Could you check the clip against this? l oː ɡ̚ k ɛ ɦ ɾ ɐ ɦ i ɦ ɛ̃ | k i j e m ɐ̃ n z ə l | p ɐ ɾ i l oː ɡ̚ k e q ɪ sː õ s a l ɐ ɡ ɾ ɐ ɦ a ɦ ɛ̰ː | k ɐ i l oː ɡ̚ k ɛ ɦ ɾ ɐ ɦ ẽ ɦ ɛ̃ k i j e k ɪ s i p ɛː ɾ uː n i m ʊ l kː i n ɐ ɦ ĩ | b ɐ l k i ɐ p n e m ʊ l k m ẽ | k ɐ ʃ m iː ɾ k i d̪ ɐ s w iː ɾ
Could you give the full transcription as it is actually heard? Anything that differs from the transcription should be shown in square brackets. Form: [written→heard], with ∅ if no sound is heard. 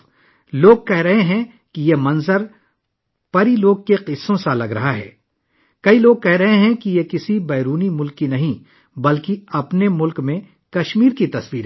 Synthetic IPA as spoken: l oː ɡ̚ k ɛ ɦ ɾ ɐ ɦ [i→e] ɦ ɛ̃ | k i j e m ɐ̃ n z ə [l→ɾ] | p ɐ ɾ i l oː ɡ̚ k e q ɪ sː õ s a l ɐ ɡ ɾ ɐ ɦ a ɦ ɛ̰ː | k ɐ i l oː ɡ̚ k ɛ ɦ ɾ ɐ ɦ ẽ ɦ ɛ̃ k i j e k ɪ s i [p→b] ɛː ɾ uː n i m ʊ l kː i n ɐ ɦ ĩ | b ɐ l k i ɐ p n e m ʊ l k m ẽ | k ɐ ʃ m iː ɾ k i [d̪→t̪] ɐ s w iː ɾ